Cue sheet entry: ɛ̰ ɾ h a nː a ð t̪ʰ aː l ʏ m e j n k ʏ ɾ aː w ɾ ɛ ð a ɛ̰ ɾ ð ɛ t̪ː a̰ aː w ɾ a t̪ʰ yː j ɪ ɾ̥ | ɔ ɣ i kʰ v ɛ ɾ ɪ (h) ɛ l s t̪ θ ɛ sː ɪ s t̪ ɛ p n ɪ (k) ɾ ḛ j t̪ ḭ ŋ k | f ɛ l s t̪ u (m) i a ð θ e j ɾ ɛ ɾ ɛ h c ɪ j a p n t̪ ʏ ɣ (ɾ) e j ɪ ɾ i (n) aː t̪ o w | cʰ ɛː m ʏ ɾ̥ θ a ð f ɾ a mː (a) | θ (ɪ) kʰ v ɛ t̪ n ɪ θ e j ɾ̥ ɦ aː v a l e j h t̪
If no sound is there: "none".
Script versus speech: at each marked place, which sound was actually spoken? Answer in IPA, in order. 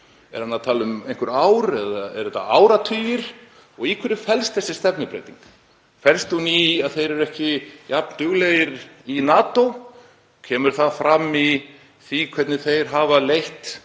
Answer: f, p, n, l, n, i, i

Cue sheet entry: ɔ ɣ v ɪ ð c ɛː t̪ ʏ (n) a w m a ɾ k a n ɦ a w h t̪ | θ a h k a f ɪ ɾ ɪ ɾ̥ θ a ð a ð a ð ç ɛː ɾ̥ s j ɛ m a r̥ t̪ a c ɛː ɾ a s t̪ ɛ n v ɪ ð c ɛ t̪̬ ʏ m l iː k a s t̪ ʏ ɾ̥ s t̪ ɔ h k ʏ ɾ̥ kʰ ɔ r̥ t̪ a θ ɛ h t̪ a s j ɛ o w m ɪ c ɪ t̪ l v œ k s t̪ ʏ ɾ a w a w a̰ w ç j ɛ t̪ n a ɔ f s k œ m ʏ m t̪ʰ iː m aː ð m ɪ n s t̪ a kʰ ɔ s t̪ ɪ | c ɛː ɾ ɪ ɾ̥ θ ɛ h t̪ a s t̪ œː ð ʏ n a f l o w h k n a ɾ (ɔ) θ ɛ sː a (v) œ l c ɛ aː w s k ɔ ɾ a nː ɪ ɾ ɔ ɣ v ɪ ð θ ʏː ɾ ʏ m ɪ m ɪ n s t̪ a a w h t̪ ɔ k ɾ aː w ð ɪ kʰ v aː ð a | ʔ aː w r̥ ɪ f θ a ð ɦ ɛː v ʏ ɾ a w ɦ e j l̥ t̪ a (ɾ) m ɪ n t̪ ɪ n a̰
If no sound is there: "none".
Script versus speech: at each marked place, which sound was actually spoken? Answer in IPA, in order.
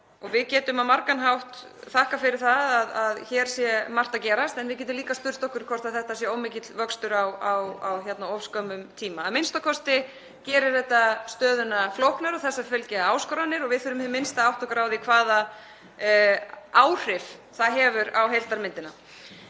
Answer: m, ɔ, f, ɾ

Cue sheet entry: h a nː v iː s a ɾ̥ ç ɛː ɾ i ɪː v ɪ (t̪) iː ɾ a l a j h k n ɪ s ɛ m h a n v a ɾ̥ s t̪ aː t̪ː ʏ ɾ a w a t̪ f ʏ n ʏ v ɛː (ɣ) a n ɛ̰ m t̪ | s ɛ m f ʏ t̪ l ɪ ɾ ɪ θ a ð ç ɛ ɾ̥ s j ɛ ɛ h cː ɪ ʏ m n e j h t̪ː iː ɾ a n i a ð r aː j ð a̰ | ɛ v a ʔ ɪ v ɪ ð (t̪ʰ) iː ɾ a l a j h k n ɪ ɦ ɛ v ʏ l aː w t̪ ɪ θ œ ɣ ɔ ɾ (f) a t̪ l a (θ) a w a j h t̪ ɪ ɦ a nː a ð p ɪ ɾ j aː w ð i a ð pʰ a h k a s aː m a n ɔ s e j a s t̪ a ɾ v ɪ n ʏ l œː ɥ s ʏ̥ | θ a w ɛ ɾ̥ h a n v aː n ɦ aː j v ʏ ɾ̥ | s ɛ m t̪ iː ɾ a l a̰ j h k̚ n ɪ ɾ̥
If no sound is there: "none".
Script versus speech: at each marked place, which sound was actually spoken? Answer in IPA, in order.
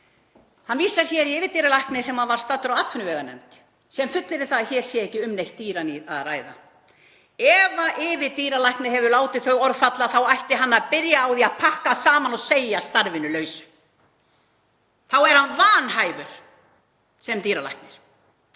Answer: t̪, ɣ, t̪, f, θ

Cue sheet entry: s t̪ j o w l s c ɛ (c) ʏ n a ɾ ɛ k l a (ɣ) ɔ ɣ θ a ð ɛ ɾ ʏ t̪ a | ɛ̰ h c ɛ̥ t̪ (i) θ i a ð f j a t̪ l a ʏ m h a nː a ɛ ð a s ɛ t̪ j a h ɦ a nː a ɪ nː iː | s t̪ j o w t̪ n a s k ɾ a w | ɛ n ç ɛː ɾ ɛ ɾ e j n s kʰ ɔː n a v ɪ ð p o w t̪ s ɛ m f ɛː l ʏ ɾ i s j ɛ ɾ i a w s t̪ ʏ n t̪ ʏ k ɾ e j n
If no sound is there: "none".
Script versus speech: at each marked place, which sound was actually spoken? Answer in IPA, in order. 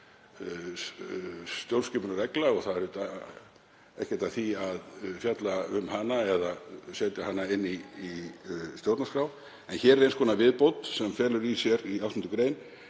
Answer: p, ɣ, a

